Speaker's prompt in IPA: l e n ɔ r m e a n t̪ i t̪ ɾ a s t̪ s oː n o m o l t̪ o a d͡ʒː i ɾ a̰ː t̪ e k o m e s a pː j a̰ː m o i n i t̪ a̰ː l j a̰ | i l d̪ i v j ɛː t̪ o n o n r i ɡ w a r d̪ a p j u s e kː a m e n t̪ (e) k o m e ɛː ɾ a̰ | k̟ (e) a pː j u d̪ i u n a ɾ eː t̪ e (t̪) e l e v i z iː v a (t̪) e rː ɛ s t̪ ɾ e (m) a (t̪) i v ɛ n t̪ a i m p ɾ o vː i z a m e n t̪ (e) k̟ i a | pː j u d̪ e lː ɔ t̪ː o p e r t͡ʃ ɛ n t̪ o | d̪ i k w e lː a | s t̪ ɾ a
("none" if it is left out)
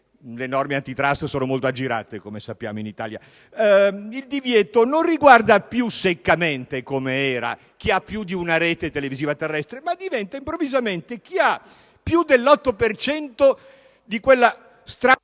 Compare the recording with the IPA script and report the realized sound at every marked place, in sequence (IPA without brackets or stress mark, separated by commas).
e, i, t̪, t̪, m, d̪, e